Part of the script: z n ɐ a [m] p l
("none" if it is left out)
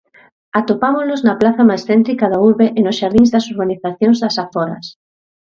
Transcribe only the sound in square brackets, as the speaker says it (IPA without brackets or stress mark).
none